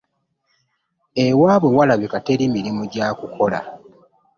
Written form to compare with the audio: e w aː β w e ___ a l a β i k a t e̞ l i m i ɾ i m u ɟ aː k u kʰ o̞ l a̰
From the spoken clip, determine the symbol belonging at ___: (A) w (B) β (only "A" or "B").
A